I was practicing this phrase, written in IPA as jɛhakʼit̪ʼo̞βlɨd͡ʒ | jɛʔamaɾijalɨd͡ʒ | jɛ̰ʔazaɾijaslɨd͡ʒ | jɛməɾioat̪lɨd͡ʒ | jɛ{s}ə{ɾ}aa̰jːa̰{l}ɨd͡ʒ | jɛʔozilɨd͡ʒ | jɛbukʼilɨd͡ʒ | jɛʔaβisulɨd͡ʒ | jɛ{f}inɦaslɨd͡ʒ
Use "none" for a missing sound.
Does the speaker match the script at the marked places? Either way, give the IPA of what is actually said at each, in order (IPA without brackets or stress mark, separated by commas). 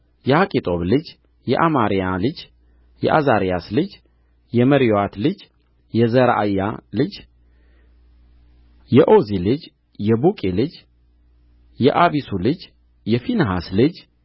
z, ɾ, l, f